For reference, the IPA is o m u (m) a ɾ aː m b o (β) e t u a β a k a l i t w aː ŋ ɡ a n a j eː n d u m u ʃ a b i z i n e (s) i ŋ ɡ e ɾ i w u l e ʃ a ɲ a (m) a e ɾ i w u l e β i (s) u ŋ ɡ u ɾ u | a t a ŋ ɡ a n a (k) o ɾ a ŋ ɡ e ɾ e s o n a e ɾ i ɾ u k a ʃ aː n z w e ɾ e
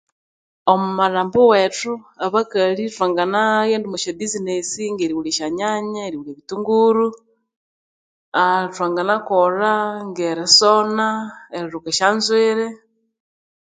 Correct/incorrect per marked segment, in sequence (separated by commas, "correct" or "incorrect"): correct, incorrect, correct, incorrect, incorrect, correct